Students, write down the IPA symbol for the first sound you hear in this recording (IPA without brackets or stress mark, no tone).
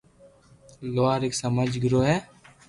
l